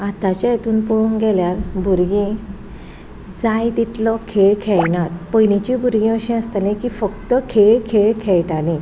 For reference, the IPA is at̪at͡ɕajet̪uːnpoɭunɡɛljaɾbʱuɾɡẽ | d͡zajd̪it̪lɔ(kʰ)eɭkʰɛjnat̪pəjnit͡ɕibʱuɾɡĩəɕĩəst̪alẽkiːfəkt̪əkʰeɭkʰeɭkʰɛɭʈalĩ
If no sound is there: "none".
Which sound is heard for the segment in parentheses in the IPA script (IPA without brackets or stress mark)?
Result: kʰ